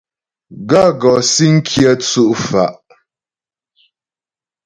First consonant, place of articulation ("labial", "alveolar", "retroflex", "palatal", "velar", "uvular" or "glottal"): velar